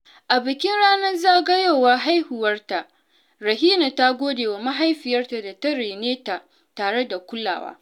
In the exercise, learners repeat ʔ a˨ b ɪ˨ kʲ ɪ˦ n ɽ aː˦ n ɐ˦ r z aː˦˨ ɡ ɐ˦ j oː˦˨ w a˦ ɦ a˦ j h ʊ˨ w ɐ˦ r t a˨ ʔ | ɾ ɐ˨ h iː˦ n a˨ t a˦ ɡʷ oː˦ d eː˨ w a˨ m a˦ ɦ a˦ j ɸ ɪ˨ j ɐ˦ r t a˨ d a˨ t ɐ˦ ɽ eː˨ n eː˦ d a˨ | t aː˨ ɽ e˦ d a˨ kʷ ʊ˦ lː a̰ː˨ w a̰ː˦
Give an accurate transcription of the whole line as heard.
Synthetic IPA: ʔ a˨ b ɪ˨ kʲ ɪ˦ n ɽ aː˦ n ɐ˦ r z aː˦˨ ɡ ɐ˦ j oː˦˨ w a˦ ɦ a˦ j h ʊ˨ w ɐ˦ r t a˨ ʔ | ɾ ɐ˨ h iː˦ n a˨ t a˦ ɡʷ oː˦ d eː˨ w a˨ m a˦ ɦ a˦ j ɸ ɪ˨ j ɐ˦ r t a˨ d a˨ t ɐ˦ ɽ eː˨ n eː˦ t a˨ | t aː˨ ɽ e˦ d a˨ kʷ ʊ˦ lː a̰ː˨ w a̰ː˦